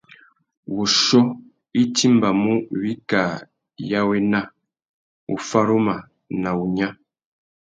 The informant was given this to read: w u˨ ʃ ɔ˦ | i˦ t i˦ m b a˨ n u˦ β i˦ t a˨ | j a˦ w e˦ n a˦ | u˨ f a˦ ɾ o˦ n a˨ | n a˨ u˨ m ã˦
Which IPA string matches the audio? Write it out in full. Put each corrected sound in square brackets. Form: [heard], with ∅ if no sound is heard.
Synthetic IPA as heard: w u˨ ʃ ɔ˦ | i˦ t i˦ m b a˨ [m] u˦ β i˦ [k] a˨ | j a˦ w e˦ n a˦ | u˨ f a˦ ɾ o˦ [m] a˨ | n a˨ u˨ [ɲ] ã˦